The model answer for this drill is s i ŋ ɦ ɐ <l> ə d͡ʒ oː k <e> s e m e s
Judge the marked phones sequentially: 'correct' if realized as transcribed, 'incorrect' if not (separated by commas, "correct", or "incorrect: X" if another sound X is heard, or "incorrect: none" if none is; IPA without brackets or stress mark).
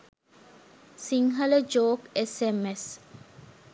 correct, correct